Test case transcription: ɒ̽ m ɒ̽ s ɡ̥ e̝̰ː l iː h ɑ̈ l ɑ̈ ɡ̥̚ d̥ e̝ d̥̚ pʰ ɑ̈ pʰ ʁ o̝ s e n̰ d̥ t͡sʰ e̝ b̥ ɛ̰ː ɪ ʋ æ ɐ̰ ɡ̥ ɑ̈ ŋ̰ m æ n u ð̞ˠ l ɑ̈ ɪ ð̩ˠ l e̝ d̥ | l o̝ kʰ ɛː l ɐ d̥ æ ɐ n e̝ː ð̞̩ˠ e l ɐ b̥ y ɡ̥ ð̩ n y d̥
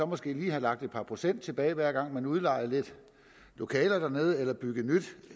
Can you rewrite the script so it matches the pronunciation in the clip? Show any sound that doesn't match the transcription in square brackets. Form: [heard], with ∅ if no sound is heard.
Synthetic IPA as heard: ɒ̽ m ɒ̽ s ɡ̥ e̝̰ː l iː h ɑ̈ l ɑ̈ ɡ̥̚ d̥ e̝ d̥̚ pʰ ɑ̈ pʰ ʁ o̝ s e n̰ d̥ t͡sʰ e̝ b̥ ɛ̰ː ɪ ʋ æ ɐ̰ ɡ̥ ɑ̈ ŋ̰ m æ n u ð̞ˠ l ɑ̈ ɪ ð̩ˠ l e̝ d̥ | l o̝ kʰ ɛː l ɐ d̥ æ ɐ n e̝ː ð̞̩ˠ e l ɐ b̥ y ɡ̥ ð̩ n y d̥